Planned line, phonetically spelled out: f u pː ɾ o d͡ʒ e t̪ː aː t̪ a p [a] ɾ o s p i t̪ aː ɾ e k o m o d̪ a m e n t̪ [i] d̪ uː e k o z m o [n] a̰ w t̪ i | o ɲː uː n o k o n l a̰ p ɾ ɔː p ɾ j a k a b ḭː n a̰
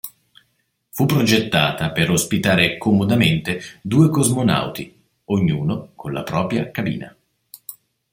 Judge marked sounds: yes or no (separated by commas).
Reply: no, no, yes